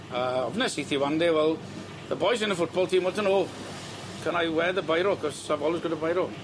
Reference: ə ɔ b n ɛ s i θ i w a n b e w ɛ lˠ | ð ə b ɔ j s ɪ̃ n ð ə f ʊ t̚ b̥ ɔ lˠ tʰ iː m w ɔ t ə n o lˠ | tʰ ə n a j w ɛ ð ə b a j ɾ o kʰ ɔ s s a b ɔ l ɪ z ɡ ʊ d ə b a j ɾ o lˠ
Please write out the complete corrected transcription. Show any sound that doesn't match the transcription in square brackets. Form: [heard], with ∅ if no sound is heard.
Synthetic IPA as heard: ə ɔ b n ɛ s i θ i w a n [d] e w ɛ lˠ | ð ə b ɔ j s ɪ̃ n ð ə f ʊ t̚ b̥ ɔ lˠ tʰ iː m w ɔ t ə n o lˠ | [kʰ] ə n a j w ɛ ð ə b a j ɾ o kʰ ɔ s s a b ɔ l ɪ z ɡ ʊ d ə b a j ɾ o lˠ